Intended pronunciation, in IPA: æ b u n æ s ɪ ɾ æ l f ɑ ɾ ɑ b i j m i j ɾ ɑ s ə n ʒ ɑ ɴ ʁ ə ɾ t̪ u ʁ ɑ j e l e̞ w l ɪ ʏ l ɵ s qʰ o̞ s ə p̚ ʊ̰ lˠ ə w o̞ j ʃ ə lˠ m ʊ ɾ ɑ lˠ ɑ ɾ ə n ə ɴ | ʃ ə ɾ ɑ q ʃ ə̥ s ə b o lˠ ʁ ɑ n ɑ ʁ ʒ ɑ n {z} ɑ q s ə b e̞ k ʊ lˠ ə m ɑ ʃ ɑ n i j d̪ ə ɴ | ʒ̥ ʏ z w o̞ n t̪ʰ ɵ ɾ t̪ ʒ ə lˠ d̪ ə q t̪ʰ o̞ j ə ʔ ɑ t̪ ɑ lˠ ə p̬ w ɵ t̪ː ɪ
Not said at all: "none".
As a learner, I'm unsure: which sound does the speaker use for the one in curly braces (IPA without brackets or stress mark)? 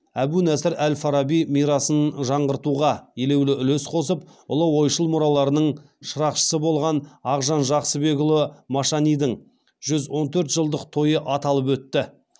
ʒ